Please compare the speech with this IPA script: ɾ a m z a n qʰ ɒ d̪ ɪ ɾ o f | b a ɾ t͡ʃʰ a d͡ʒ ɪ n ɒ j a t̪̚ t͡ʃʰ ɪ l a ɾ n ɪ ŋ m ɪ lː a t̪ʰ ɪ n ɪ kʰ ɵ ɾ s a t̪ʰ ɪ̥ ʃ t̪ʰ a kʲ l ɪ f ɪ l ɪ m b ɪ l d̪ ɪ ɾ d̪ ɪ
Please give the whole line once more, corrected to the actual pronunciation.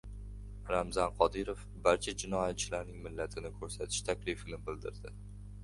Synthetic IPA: ɾ a m z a n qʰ ɒ d̪ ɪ ɾ o f | b a ɾ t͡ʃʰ a d͡ʒ ɪ n ɒ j a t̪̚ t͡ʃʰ ɪ l a ɾ n ɪ ŋ m ɪ lː a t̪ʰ ɪ n ɪ kʰ ɵ ɾ s a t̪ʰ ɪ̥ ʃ t̪ʰ a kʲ l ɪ f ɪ l ɪ m b ɪ l d̪ ɪ ɾ d̪ ɪ